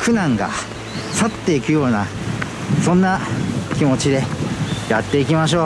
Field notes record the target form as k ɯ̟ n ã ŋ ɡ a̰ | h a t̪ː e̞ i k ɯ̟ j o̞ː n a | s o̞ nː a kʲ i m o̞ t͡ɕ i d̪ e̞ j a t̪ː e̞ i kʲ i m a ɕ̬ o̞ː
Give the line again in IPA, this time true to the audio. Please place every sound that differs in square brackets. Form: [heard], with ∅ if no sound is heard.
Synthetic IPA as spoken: k ɯ̟ n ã ŋ ɡ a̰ | [s] a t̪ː e̞ i k ɯ̟ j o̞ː n a | s [õ̞] nː a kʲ i m o̞ t͡ɕ i d̪ e̞ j a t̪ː e̞ i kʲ i m a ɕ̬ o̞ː